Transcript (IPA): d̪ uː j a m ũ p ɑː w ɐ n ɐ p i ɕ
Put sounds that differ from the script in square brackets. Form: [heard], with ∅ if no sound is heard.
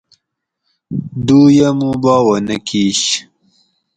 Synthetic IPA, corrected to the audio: d̪ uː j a m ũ [b] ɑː w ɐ n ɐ [k] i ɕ